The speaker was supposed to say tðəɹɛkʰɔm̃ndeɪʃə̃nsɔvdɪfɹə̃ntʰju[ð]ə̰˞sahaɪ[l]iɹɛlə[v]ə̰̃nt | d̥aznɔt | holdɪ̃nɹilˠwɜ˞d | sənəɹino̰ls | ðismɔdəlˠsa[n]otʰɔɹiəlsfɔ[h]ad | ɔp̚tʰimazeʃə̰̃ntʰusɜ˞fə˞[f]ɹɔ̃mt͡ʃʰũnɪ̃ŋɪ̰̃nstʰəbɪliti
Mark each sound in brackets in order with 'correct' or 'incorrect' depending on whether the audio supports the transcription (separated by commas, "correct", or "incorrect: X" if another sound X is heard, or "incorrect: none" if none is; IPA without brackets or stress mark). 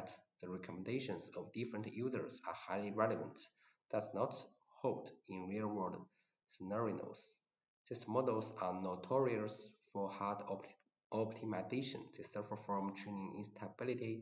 incorrect: z, correct, correct, correct, correct, correct